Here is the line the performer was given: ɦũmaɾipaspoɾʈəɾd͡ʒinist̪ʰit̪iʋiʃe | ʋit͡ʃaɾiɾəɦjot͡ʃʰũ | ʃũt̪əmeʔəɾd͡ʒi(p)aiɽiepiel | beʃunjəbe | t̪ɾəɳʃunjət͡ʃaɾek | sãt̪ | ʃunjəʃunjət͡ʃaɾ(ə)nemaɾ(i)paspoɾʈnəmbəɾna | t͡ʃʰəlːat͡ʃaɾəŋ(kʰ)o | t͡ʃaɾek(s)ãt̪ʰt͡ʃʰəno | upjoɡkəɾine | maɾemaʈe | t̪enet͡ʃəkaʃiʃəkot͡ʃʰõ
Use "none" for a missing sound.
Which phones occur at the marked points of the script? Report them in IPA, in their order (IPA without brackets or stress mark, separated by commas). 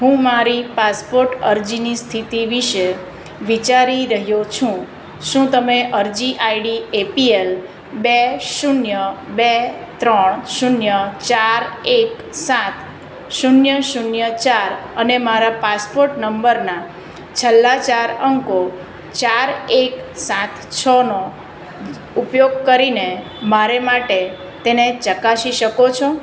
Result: ʔ, ə, a, k, s